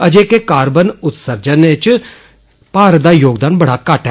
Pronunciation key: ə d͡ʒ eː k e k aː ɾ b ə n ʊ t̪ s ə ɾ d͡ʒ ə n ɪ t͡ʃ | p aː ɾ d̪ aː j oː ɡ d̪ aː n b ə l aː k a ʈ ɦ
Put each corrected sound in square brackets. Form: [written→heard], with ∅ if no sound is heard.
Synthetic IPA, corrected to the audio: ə d͡ʒ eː k e k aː ɾ b ə n ʊ t̪ s ə ɾ d͡ʒ ə n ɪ t͡ʃ | p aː ɾ d̪ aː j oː ɡ d̪ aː n b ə [l→ɽ] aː k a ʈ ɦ

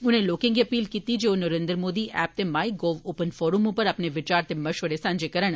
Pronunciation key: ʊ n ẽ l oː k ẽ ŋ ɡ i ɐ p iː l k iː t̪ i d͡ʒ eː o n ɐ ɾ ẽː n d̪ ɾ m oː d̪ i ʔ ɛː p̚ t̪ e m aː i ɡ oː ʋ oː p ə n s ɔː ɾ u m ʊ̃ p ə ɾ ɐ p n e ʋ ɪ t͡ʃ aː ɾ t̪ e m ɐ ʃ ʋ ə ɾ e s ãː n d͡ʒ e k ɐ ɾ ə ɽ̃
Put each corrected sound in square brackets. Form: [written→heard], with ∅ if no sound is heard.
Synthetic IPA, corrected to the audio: ʊ n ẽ l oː k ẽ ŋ ɡ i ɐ p iː l k iː t̪ i d͡ʒ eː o n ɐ ɾ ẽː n d̪ ɾ m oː d̪ i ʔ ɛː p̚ t̪ e m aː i ɡ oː ʋ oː p ə n [s→f] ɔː ɾ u m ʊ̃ p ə ɾ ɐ p n e ʋ ɪ t͡ʃ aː ɾ t̪ e m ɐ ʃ ʋ ə ɾ e s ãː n d͡ʒ e k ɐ ɾ ə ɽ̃

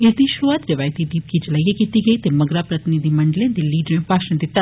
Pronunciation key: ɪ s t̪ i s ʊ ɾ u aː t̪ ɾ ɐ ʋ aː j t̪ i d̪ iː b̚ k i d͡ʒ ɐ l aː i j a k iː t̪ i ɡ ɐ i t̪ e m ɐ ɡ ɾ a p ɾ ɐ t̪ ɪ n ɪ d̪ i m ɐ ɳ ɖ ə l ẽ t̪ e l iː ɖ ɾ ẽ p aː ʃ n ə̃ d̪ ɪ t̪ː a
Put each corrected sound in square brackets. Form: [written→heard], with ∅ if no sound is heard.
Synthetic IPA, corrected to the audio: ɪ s [t̪→d̪] i [s→ʃ] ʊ ɾ u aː t̪ ɾ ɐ ʋ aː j t̪ i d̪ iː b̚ k i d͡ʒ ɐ l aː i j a k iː t̪ i ɡ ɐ i t̪ e m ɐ ɡ ɾ a p ɾ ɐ t̪ ɪ n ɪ d̪ i m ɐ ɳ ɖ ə l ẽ [t̪→d̪] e l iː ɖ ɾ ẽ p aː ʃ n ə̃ d̪ ɪ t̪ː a

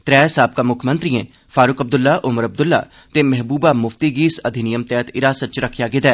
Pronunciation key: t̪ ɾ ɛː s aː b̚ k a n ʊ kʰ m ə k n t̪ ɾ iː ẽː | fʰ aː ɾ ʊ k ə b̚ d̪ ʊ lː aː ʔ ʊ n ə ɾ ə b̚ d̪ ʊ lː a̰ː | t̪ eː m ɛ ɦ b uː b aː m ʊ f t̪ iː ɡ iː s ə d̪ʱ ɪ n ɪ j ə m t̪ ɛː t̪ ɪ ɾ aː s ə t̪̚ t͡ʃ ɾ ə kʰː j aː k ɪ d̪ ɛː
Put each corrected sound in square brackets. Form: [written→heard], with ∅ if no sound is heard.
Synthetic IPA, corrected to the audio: t̪ ɾ ɛː s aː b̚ k a [n→m] ʊ kʰ m ə [k→∅] n t̪ ɾ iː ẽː | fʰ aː ɾ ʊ k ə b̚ d̪ ʊ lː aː ʔ ʊ [n→m] ə ɾ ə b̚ d̪ ʊ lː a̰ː | t̪ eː m ɛ ɦ b uː b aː m ʊ f t̪ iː ɡ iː s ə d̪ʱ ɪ n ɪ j ə m t̪ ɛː t̪ ɪ ɾ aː s ə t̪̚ t͡ʃ ɾ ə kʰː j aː [k→ɡ] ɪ d̪ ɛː

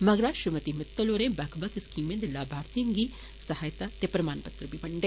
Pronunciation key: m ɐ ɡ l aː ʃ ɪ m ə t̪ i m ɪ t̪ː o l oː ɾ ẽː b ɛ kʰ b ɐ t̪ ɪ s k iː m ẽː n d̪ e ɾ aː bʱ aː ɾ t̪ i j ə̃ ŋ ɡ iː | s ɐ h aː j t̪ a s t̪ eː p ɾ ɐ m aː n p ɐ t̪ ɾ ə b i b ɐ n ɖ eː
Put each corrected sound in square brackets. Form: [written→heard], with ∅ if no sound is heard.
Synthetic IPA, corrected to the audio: m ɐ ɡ [l→ɾ] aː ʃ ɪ m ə t̪ i m ɪ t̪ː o l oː ɾ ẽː b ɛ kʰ b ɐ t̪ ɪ s k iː m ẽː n d̪ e [ɾ→l] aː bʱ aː ɾ t̪ i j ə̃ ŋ ɡ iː | s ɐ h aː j t̪ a [s→∅] t̪ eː p ɾ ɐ m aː n p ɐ t̪ ɾ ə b i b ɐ [n→ɳ] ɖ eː

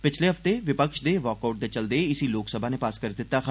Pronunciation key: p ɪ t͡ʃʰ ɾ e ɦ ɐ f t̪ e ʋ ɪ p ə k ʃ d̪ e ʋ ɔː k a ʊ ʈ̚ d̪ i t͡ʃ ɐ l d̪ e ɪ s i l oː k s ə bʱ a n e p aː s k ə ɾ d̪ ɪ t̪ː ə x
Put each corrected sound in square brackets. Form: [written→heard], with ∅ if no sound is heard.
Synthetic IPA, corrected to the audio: p ɪ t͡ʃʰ [ɾ→l] e ɦ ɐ f t̪ e ʋ ɪ p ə k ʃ d̪ e ʋ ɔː k a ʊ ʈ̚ d̪ [i→e] t͡ʃ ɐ l d̪ e ɪ s i l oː k s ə bʱ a n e p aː s k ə ɾ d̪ ɪ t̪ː [ə→a] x

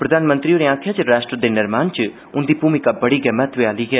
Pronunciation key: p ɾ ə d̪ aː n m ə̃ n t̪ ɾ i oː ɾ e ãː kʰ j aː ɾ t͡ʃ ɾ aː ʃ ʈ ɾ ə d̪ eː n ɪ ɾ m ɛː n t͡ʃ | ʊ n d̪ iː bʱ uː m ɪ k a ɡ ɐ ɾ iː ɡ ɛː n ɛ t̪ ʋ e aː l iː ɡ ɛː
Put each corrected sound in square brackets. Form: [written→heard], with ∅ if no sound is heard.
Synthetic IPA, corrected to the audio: p ɾ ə d̪ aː n m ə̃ n t̪ ɾ i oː ɾ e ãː kʰ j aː [ɾ→∅] t͡ʃ ɾ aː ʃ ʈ ɾ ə d̪ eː n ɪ ɾ m [ɛː→aː] n t͡ʃ | ʊ n d̪ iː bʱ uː m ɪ k a [ɡ→b] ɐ [ɾ→ɽ] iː ɡ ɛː [n→m] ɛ t̪ ʋ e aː l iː ɡ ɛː

